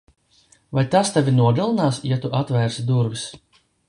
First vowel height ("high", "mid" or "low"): low